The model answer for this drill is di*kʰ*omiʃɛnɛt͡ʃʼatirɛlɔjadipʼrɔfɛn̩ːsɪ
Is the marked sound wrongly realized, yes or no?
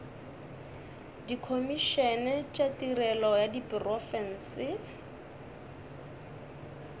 no